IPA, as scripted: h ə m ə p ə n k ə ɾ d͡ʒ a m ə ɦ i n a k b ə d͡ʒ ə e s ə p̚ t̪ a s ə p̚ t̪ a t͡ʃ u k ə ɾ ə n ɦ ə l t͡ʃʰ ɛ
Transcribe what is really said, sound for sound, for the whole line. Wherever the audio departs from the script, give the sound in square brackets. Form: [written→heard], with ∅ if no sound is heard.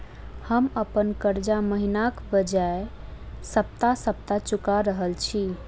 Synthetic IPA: h ə m ə p ə n k ə ɾ d͡ʒ a m ə ɦ i n a k b ə d͡ʒ [ə→a] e s ə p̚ t̪ a s ə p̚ t̪ a t͡ʃ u k [ə→a] ɾ ə [n→∅] ɦ ə l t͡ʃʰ [ɛ→i]